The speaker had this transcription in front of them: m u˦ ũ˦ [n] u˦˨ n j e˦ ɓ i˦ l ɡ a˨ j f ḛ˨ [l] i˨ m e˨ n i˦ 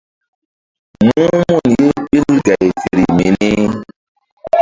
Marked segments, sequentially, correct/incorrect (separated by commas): incorrect, incorrect